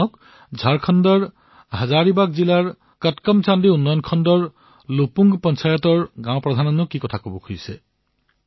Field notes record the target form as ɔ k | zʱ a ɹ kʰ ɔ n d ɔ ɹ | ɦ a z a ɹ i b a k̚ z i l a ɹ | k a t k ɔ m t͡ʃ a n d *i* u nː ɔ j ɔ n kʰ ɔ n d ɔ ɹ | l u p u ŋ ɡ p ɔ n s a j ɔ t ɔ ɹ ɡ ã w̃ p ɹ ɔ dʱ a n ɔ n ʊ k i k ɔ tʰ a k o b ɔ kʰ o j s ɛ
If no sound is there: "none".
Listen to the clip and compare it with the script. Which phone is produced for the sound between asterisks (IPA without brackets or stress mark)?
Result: i